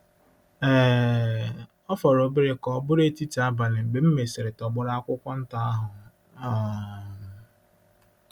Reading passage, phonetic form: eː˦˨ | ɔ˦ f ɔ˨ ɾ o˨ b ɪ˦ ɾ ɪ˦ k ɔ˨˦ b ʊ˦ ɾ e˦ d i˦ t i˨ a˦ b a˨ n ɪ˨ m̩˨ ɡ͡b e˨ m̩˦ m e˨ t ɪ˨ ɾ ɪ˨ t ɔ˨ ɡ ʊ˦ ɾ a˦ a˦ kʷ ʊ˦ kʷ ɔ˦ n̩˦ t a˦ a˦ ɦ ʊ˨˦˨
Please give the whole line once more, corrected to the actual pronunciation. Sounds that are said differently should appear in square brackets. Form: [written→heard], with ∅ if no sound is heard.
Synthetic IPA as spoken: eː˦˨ | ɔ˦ f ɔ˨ ɾ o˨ b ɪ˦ ɾ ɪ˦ k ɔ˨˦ b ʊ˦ ɾ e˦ [d→t] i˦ t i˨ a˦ b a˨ n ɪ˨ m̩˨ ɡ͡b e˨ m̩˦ m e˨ [t→s] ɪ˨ ɾ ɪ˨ t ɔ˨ [ɡ→ɡ͡b] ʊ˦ ɾ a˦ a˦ kʷ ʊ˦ kʷ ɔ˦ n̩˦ t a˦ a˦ ɦ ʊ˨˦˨

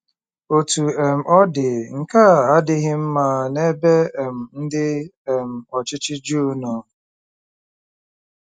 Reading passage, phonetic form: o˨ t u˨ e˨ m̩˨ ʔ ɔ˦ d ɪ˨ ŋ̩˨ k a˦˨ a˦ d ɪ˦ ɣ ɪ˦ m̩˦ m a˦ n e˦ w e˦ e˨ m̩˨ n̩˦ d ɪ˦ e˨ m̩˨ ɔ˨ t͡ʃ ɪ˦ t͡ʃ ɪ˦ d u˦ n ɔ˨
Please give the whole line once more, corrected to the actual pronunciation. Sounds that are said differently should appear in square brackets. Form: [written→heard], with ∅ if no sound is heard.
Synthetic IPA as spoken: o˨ t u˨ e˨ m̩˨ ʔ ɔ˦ d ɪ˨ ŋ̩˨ k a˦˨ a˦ d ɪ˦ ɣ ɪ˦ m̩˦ m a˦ n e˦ [w→b] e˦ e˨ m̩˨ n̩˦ d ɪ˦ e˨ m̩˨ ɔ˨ t͡ʃ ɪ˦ t͡ʃ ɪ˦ [d→d͡ʒ] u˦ n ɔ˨

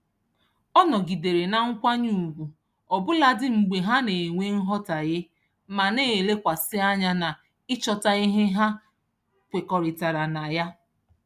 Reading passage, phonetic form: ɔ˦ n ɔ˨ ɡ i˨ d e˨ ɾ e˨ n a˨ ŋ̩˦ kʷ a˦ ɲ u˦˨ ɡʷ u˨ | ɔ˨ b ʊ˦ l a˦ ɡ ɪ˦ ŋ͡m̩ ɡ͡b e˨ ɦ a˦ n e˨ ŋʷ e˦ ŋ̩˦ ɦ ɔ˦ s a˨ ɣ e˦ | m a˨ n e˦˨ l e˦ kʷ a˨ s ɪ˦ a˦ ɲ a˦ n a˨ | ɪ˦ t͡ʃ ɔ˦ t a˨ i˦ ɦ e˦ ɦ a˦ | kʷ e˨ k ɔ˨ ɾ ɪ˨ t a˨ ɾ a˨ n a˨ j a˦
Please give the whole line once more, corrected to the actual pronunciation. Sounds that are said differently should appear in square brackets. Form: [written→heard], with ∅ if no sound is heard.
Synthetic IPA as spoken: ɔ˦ n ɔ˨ ɡ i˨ d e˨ ɾ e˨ n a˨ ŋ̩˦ kʷ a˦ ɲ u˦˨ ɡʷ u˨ | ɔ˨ b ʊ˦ l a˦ [ɡ→d] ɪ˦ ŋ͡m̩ ɡ͡b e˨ ɦ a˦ n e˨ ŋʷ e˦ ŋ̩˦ ɦ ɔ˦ [s→t] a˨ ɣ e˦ | m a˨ n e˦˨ l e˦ kʷ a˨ s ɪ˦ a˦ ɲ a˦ n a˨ | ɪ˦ t͡ʃ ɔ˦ t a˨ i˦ ɦ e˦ ɦ a˦ | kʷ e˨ k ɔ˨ ɾ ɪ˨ t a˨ ɾ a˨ n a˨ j a˦

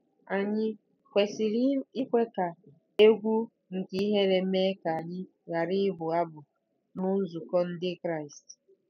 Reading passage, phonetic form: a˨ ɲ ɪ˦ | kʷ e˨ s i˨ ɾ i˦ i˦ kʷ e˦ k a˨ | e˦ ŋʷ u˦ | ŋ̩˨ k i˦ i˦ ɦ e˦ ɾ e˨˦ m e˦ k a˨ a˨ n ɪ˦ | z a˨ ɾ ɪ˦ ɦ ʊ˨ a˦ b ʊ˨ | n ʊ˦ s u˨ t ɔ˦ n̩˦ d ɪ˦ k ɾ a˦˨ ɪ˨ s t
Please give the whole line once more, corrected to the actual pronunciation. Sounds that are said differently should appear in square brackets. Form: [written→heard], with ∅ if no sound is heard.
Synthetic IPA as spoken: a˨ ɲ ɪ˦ | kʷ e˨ s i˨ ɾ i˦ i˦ kʷ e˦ k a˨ | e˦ [ŋʷ→ɡʷ] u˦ | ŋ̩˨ k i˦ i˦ ɦ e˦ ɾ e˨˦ m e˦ k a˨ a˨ [n→ɲ] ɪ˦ | [z→ɣ] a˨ ɾ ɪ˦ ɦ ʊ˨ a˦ b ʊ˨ | n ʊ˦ [s→z] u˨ [t→k] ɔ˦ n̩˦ d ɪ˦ k ɾ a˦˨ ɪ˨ s t

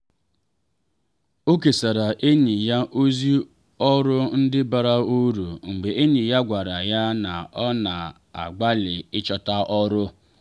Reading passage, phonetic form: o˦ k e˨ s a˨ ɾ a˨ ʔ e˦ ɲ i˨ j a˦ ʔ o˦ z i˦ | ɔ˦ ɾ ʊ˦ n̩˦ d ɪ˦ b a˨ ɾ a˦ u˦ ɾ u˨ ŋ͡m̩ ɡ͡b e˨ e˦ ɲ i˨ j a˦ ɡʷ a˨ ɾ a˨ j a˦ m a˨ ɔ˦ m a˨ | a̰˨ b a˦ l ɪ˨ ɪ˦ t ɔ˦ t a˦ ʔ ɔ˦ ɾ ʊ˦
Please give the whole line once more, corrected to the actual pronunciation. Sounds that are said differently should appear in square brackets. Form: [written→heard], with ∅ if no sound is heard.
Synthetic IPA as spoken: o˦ k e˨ s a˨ ɾ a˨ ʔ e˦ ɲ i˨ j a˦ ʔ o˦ z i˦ | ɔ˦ ɾ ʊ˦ n̩˦ d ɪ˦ b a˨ ɾ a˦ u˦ ɾ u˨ ŋ͡m̩ ɡ͡b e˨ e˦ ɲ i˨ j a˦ ɡʷ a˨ ɾ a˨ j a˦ [m→n] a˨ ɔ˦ [m→n] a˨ | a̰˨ [b→ɡ͡b] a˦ l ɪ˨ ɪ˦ [t→t͡ʃ] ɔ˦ t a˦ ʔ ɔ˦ ɾ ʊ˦

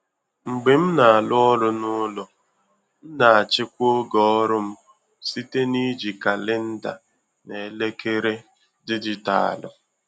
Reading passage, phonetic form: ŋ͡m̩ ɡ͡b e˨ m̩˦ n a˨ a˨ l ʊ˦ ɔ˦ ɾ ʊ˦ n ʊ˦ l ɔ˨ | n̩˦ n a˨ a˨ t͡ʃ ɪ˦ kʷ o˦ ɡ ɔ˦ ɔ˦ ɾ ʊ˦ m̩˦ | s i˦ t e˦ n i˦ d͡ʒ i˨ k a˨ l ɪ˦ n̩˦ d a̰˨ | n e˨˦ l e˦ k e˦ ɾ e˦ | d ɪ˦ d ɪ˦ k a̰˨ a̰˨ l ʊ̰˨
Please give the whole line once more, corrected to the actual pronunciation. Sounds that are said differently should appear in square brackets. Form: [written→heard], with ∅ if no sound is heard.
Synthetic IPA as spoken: ŋ͡m̩ ɡ͡b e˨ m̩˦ n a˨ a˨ l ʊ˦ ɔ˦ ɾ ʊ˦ n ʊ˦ l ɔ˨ | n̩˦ n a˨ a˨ t͡ʃ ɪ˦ kʷ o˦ ɡ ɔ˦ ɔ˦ ɾ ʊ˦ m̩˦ | s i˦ t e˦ n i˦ d͡ʒ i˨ k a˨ l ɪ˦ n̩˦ d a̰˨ | n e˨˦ l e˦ k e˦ ɾ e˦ | d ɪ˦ d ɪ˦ [k→t] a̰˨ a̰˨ l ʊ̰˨

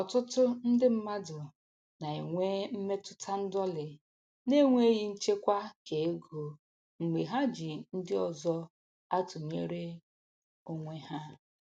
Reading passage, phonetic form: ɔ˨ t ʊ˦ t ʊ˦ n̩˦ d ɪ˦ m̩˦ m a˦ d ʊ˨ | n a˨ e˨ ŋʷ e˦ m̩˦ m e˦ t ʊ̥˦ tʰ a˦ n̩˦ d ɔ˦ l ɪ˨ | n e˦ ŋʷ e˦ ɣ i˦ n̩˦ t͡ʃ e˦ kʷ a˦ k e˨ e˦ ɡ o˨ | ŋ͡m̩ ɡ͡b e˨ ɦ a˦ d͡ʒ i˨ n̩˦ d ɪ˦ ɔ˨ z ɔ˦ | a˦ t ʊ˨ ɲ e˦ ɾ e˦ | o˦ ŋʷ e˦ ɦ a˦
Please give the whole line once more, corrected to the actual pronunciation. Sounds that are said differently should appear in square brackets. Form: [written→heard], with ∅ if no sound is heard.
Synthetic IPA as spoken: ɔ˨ t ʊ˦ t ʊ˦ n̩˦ d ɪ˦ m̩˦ m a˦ d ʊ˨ | n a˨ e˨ ŋʷ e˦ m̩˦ m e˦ t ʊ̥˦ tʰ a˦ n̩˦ d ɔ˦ l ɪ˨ | n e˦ ŋʷ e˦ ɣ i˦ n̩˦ t͡ʃ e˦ kʷ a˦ k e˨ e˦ ɡ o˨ | ŋ͡m̩ ɡ͡b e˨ ɦ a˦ d͡ʒ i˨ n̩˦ d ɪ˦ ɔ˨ z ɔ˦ | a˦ t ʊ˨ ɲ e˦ ɾ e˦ | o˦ ŋʷ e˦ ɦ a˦

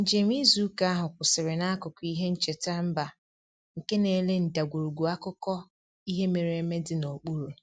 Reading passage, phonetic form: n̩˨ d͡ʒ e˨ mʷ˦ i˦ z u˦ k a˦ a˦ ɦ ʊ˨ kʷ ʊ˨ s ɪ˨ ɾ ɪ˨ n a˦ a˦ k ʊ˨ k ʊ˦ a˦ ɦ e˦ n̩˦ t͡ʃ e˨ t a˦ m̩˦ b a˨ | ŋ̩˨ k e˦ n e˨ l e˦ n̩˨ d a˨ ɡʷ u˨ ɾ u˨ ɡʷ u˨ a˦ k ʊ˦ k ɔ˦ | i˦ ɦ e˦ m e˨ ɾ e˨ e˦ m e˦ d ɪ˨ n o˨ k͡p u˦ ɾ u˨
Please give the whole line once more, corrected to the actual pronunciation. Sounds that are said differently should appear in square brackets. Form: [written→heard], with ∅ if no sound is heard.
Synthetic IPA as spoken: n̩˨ d͡ʒ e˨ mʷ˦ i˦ z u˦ k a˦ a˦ ɦ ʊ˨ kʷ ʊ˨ s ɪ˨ ɾ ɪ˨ n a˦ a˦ k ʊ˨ k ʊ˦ [a˦→i˦] ɦ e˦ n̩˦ t͡ʃ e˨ t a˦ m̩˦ b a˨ | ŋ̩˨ k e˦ n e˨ l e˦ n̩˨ d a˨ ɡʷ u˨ ɾ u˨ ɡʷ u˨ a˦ k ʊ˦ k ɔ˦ | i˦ ɦ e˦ m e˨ ɾ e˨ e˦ m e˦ d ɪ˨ n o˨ k͡p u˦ ɾ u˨

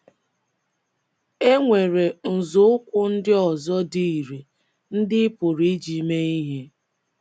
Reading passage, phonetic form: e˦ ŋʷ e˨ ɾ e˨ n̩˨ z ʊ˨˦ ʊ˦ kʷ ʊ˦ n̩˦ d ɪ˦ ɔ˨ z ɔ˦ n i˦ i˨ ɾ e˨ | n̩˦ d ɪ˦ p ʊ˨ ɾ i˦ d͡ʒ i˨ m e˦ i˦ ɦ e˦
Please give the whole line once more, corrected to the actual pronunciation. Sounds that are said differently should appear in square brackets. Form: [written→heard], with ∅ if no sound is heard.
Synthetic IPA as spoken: e˦ ŋʷ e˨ ɾ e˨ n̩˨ z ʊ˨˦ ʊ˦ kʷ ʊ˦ n̩˦ d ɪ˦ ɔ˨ z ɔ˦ [n→d] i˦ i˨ ɾ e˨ | n̩˦ d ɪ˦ p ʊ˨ ɾ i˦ d͡ʒ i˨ m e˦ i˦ ɦ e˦

